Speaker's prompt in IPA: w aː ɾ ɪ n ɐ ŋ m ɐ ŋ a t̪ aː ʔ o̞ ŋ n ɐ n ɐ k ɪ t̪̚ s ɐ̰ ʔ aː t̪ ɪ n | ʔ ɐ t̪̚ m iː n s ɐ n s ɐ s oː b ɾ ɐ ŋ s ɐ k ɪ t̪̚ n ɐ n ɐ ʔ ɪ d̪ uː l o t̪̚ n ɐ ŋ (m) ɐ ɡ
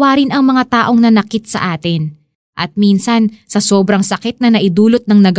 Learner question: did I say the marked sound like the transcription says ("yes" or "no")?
no